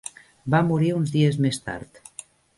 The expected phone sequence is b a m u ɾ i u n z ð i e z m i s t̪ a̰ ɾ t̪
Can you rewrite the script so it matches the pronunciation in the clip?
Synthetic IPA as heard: b a m u ɾ i u n z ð i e z m e s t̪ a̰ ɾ t̪